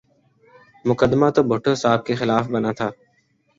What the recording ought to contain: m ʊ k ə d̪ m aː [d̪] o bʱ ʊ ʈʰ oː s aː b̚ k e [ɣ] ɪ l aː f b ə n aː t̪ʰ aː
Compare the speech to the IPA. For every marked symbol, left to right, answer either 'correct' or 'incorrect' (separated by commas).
incorrect, incorrect